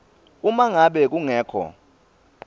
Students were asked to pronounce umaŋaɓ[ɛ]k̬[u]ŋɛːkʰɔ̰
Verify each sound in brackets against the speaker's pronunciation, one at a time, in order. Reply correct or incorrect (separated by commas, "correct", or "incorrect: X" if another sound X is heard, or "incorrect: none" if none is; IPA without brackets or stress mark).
correct, correct